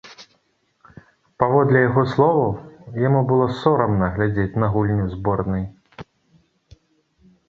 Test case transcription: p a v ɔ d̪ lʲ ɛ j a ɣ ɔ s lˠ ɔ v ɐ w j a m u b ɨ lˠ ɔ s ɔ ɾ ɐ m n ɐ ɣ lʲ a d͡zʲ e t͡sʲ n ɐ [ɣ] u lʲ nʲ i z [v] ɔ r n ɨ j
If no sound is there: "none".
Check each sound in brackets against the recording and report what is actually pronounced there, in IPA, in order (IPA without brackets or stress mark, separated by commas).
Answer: ɣ, b